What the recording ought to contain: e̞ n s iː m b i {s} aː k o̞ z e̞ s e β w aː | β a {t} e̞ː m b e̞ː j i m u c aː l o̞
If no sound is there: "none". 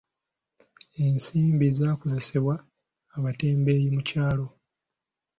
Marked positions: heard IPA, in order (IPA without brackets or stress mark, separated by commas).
z, t